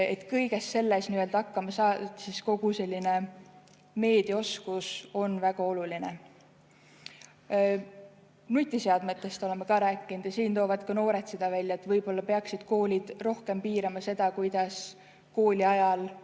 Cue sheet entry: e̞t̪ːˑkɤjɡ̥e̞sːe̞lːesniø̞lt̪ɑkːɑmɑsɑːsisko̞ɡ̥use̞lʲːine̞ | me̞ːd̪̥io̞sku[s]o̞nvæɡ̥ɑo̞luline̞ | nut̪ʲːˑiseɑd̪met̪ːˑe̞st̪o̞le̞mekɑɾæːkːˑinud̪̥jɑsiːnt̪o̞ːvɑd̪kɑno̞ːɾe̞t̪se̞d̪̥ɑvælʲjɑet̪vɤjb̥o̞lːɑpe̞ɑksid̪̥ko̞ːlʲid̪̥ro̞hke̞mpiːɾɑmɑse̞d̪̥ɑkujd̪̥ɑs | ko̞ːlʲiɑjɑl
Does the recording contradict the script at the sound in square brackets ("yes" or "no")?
no